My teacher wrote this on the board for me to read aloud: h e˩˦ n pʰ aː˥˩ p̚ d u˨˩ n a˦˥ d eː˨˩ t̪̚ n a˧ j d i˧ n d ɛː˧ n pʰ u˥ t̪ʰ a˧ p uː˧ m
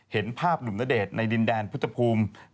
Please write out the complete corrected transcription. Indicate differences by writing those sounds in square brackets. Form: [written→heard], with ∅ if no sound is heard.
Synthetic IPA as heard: h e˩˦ n pʰ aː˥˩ p̚ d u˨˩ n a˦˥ d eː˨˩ t̪̚ n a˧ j d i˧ n d ɛː˧ n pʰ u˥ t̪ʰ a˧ [p→pʰ] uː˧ m